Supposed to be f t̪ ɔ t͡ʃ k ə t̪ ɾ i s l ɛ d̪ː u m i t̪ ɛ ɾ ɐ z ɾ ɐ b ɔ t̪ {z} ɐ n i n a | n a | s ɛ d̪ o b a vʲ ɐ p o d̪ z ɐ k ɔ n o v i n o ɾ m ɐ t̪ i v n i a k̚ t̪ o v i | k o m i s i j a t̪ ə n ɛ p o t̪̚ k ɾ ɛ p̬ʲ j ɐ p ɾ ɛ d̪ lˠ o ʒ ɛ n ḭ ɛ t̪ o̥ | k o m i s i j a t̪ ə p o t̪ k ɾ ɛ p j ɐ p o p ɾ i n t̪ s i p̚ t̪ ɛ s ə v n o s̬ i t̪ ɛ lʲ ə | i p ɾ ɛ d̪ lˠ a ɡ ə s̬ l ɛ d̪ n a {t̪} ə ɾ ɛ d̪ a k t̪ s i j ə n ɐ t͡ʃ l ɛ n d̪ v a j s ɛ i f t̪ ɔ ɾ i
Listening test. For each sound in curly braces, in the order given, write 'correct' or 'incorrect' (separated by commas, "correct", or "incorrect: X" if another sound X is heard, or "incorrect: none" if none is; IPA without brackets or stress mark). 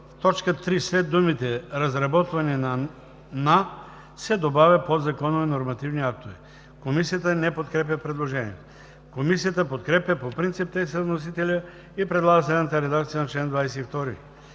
incorrect: v, correct